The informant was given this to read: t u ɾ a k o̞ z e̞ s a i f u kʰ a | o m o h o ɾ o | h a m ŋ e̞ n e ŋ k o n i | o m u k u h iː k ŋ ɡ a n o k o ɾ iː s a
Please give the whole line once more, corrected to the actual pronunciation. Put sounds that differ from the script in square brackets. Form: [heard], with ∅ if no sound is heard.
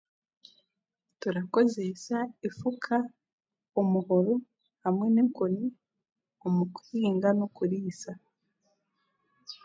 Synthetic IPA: t u ɾ a k o̞ z e̞ s a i f u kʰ a | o m [u] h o ɾ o | h a m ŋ e̞ n e ŋ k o n i | o m u k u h iː [∅] ŋ ɡ a n o k [u] ɾ iː s a